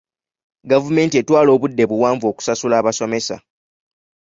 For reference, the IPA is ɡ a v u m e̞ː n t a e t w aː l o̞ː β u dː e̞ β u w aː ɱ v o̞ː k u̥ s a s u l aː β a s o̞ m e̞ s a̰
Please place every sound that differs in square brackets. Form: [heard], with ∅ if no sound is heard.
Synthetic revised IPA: ɡ a v u m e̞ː n t [i] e t w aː l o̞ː β u dː e̞ β u w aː ɱ v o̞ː k u̥ s a s u l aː β a s o̞ m e̞ s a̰